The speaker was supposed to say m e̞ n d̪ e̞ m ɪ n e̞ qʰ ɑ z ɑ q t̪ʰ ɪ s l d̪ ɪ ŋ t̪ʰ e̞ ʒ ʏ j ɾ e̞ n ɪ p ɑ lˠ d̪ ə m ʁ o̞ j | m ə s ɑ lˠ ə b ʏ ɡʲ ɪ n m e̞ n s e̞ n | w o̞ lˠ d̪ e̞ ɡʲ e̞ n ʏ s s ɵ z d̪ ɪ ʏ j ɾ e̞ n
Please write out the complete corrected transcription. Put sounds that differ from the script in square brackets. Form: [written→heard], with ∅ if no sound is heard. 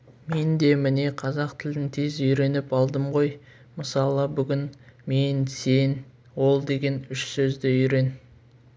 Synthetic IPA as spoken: m e̞ n d̪ e̞ m ɪ n e̞ qʰ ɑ z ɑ q t̪ʰ ɪ [s→∅] l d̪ ɪ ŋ t̪ʰ e̞ [ʒ→z] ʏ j ɾ e̞ n ɪ p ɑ lˠ d̪ ə m ʁ o̞ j | m ə s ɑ lˠ ə b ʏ ɡʲ ɪ n m e̞ n s e̞ n | w o̞ lˠ d̪ e̞ ɡʲ e̞ n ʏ [s→ʃ] s ɵ z d̪ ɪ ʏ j ɾ e̞ n